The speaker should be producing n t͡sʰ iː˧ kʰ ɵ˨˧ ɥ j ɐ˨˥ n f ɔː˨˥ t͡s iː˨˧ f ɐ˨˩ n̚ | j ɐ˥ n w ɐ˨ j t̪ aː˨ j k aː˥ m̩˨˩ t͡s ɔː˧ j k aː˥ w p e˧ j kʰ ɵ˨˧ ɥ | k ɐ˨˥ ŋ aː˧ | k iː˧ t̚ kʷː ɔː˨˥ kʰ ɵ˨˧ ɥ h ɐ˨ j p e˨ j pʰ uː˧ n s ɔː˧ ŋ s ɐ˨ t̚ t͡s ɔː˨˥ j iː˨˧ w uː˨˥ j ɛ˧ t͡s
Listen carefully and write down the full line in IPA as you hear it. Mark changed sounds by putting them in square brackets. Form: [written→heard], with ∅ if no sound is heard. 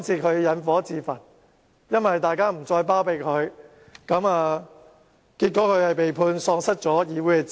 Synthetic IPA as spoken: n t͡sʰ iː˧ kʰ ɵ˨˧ ɥ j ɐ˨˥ n f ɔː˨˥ t͡s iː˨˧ f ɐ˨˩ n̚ | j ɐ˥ n w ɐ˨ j t̪ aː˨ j k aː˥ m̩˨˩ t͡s ɔː˧ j [k→p] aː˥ w p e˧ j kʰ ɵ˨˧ ɥ | k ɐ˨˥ [ŋ→m] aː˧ | k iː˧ t̚ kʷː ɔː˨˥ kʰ ɵ˨˧ ɥ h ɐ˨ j p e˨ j pʰ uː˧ n s ɔː˧ ŋ s [ɐ˨→ɐ˥] t̚ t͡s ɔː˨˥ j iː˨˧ w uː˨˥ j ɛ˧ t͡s